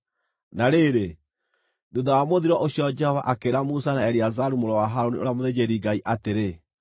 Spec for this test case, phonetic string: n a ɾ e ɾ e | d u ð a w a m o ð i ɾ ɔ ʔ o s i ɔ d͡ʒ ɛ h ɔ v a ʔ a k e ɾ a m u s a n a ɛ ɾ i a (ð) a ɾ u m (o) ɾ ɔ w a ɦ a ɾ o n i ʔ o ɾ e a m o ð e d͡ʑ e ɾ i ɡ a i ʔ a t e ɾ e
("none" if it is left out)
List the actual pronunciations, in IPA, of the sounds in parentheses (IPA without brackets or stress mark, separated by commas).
z, o